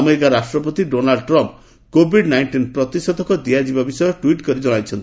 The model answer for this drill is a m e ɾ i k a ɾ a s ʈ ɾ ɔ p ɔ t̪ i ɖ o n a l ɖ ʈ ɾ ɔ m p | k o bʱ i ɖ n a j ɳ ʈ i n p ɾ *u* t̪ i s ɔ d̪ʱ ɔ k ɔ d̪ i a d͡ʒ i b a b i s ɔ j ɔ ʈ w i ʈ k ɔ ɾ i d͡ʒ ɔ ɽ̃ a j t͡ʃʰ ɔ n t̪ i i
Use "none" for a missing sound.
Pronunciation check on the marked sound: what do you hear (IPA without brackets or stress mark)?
ɔ